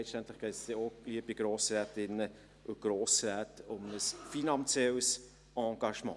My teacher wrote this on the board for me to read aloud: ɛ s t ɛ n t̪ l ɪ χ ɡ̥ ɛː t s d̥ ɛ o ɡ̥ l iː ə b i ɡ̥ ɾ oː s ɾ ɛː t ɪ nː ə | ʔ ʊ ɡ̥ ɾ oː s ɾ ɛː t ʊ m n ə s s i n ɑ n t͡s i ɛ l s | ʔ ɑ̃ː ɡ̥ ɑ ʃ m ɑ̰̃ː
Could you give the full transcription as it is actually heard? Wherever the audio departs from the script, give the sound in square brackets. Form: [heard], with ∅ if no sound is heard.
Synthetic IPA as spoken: ɛ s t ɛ n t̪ l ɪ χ ɡ̥ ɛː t s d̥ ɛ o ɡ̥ l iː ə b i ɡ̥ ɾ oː s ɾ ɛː t ɪ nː ə | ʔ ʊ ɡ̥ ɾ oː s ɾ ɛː t ʊ m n ə s [f] i n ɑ n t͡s [j] ɛ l s | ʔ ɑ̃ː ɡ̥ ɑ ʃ m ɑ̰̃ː